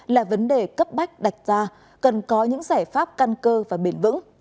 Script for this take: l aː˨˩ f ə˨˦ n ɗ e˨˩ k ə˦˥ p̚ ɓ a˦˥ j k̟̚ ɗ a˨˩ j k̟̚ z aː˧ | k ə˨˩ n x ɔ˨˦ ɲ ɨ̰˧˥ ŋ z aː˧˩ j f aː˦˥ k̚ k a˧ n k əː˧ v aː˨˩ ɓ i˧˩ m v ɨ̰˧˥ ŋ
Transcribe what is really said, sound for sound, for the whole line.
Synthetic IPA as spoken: l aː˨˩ v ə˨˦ n ɗ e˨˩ k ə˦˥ p̚ ɓ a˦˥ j k̟̚ ɗ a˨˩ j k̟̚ z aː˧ | k ə˨˩ n k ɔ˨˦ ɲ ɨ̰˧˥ ŋ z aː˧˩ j f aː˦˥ p̚ k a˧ n k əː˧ v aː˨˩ ɓ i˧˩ n v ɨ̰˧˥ ŋ